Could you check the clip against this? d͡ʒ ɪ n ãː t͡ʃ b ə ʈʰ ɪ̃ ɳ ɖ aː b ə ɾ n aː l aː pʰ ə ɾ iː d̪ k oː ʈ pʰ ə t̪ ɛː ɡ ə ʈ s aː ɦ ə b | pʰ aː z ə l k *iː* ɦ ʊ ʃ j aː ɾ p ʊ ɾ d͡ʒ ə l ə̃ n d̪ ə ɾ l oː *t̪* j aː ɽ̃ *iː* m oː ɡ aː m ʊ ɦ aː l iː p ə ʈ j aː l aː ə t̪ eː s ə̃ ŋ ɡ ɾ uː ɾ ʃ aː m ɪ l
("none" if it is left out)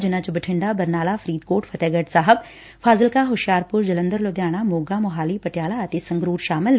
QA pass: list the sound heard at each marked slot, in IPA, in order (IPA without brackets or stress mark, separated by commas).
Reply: aː, d̪, aː